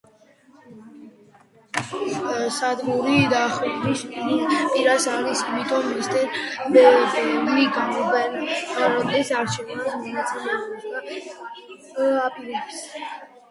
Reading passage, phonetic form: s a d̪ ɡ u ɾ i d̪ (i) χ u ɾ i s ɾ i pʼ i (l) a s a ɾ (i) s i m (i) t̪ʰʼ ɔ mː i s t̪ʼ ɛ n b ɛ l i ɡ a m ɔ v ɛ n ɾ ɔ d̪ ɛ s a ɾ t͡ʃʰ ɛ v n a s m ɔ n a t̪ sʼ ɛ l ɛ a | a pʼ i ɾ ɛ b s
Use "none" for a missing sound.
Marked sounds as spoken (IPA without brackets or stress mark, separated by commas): a, ɾ, i, i